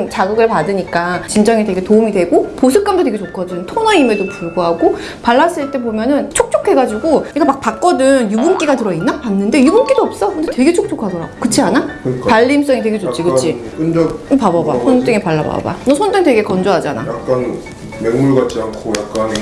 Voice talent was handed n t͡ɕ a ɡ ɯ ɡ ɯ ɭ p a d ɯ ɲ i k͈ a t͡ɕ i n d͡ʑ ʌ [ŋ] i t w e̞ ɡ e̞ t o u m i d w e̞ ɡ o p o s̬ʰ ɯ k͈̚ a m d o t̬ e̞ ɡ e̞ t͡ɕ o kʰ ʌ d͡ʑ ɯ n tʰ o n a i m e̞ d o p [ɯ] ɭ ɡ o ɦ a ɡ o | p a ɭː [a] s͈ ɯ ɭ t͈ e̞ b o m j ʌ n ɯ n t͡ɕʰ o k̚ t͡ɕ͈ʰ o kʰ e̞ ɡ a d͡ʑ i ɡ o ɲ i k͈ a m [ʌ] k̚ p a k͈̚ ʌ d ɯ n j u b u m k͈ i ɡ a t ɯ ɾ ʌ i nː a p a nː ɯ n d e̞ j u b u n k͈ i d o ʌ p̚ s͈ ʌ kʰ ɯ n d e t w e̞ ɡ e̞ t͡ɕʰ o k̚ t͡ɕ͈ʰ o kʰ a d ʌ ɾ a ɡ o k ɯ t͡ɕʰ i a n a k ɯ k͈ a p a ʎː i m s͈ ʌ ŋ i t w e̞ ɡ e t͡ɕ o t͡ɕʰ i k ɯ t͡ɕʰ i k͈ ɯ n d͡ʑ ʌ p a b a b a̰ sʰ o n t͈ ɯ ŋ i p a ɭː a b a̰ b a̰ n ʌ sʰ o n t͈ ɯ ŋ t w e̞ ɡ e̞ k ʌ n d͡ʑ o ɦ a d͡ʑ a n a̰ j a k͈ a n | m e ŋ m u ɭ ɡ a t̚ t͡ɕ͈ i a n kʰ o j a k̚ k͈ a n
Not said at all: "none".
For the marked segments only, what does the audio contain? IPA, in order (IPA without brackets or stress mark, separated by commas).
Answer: ŋ, u, a, a